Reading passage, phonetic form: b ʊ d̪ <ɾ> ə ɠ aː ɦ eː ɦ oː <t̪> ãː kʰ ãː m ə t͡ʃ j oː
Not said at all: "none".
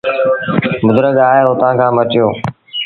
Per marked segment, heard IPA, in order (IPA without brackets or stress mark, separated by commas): ɾ, t̪